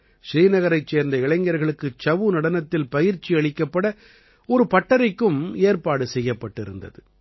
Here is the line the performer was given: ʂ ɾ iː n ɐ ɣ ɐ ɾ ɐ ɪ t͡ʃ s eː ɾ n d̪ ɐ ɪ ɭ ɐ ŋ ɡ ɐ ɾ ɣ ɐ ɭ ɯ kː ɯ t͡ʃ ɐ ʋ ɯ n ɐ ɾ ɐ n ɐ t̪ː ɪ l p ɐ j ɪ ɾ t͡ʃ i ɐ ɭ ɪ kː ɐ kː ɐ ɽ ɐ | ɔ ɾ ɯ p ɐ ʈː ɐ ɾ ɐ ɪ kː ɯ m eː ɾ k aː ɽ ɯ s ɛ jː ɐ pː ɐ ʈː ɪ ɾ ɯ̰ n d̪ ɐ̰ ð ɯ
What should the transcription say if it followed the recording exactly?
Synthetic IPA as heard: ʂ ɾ iː n ɐ ɣ ɐ ɾ ɐ ɪ t͡ʃ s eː ɾ n d̪ ɐ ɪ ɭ ɐ ŋ ɡ ɐ ɾ ɣ ɐ ɭ ɯ kː ɯ t͡ʃ ɐ ʋ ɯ n ɐ ɽ ɐ n ɐ t̪ː ɪ l p ɐ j ɪ ɾ t͡ʃ i ɐ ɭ ɪ kː ɐ pː ɐ ɽ ɐ | ɔ ɾ ɯ p ɐ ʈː ɐ ɾ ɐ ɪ kː ɯ m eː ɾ p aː ɽ ɯ s ɛ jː ɐ pː ɐ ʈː ɪ ɾ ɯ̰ n d̪ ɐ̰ ð ɯ